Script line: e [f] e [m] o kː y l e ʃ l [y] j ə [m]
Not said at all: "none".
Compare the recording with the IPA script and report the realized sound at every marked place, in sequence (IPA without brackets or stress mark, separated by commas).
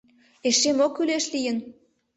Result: ʃ, m, i, n